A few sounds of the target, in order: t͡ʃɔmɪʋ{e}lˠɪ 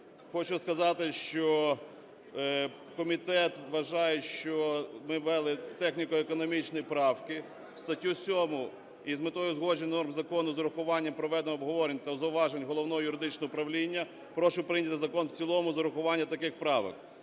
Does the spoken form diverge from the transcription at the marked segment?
yes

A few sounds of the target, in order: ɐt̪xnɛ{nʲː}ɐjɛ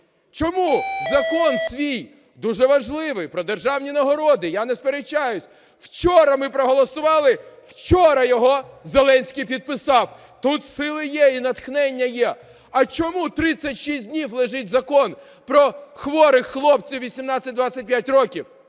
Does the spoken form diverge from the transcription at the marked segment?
no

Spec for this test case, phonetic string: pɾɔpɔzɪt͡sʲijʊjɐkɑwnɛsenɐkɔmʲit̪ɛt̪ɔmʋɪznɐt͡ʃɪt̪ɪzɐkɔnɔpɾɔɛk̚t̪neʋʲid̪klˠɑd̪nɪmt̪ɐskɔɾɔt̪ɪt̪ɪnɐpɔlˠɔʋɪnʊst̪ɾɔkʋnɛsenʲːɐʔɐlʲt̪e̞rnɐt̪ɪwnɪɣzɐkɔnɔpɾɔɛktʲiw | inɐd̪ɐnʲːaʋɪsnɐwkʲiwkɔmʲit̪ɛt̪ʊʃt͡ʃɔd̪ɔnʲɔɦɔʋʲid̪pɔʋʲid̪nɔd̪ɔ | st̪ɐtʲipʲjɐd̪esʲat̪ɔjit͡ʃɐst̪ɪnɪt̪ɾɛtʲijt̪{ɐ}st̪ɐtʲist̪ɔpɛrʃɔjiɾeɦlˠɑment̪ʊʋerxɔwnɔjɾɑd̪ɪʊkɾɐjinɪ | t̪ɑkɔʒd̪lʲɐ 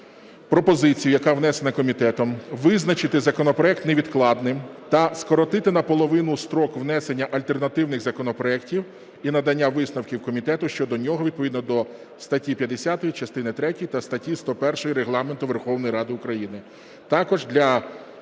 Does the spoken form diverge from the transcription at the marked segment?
no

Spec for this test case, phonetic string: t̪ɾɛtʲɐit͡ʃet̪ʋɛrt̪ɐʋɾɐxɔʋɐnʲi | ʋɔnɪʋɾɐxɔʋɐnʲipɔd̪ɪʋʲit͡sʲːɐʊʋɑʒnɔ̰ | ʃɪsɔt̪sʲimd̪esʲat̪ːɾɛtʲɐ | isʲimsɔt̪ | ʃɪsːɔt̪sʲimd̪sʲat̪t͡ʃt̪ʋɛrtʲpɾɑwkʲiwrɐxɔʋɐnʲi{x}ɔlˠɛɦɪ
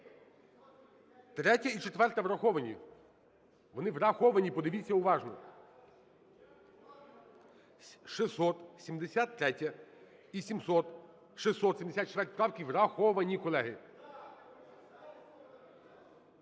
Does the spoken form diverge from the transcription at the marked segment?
yes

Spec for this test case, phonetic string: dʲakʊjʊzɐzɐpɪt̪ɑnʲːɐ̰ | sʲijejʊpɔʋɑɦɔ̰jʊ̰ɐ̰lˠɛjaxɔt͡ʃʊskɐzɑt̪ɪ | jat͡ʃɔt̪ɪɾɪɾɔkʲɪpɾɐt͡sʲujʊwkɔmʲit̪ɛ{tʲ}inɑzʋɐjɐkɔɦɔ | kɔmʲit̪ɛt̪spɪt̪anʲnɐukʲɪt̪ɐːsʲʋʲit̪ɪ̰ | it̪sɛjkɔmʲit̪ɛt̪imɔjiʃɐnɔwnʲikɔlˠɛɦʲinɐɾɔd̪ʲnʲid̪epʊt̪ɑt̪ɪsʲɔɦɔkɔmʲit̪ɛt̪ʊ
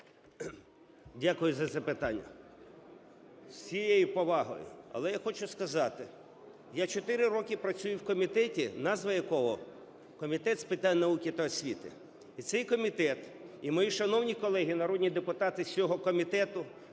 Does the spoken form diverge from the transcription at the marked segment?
no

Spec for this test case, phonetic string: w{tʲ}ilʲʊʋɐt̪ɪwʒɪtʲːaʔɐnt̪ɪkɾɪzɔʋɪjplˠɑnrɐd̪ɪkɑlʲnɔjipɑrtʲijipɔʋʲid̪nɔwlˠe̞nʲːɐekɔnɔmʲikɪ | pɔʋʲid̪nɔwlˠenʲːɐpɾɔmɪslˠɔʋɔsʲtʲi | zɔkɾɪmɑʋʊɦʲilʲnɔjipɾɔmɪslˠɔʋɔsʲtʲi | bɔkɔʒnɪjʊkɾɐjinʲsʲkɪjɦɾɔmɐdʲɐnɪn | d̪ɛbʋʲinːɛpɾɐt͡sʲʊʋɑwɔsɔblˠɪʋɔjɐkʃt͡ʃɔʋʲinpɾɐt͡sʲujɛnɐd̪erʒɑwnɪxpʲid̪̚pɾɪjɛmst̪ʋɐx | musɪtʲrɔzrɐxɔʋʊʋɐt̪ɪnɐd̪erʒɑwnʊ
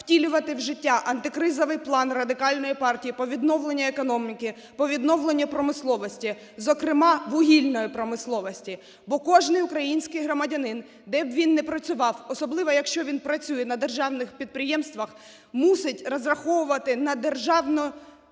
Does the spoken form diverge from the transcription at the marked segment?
no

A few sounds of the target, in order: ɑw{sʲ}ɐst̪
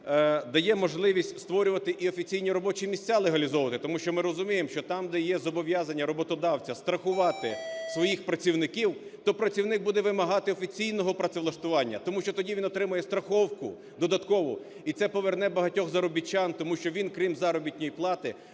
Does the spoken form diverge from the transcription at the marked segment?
yes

